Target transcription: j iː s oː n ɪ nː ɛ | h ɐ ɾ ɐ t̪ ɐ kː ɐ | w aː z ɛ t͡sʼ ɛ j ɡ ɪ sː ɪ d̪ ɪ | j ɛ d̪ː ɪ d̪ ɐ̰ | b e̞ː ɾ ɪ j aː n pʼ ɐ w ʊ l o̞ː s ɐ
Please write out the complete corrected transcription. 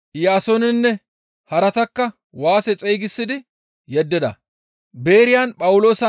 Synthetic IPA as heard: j aː s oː n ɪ nː ɛ | h ɐ ɾ ɐ t̪ ɐ kː ɐ | w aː s ɛ t͡sʼ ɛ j ɡ ɪ sː ɪ d̪ ɪ | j ɛ d̪ː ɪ d̪ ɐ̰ | b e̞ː ɾ ɪ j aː n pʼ ɐ w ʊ l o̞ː s ɐ